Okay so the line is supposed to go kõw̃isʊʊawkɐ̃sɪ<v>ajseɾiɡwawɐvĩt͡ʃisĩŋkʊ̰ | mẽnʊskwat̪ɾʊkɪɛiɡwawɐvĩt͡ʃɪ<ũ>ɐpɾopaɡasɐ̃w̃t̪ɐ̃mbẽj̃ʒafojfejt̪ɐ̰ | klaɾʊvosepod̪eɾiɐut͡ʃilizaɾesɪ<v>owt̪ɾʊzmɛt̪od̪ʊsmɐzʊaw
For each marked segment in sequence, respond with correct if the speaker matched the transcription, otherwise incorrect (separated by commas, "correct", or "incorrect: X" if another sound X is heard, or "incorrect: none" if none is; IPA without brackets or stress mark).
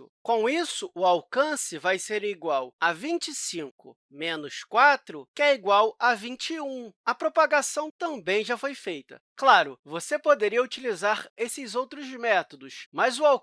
correct, correct, incorrect: z